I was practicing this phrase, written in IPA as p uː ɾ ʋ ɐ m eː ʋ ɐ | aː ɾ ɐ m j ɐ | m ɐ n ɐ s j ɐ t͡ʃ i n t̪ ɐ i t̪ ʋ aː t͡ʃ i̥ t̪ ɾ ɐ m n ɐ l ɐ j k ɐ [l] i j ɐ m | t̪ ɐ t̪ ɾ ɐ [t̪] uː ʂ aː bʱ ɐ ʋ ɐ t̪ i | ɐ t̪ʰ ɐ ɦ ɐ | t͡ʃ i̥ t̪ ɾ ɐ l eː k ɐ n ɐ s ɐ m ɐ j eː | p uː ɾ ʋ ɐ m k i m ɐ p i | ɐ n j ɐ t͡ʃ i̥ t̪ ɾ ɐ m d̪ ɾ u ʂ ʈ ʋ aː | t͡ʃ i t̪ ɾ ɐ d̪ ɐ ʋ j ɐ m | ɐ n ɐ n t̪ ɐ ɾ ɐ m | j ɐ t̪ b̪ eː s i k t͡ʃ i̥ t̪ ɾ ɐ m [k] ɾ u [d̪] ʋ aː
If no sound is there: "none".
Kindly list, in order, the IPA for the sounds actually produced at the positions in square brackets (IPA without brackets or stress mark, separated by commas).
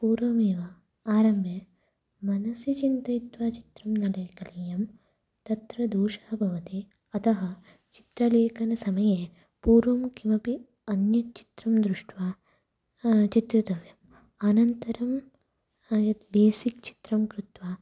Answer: l, d̪, k, t̪